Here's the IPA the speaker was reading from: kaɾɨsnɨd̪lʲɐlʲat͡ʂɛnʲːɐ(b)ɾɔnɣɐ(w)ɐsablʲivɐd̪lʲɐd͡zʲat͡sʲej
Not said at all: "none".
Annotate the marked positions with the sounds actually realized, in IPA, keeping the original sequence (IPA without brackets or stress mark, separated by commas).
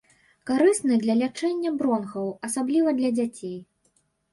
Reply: b, w